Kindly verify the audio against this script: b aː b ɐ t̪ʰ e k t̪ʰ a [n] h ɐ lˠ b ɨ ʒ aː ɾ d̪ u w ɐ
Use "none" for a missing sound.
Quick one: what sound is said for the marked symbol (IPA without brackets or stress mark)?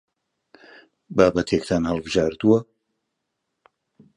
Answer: n